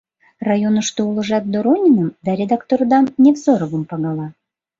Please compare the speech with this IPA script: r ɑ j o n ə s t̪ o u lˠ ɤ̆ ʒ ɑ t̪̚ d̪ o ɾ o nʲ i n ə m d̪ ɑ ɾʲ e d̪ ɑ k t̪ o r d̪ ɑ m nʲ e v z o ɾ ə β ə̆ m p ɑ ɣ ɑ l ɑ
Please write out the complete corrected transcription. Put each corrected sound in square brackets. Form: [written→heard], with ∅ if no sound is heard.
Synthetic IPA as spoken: r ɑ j o n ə [s→ʃ] t̪ o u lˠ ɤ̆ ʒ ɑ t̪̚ d̪ o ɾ o nʲ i n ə m d̪ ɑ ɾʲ e d̪ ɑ k t̪ o r d̪ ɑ m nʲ e v z o ɾ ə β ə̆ m p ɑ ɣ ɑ l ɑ